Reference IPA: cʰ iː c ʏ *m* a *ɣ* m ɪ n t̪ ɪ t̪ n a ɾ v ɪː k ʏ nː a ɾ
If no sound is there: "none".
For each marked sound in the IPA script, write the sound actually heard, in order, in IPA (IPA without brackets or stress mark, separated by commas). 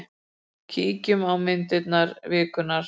m, w